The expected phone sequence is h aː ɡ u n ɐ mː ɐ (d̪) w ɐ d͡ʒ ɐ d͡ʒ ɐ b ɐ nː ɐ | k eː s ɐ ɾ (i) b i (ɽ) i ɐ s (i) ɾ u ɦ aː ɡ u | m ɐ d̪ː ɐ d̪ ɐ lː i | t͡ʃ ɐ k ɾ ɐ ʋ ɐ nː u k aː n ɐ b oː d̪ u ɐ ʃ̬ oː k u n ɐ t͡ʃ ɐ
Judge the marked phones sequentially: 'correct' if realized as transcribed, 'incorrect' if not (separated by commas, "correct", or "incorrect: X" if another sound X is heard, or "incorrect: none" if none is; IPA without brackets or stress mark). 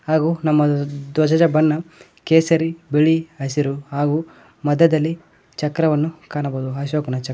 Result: correct, correct, incorrect: ɭ, correct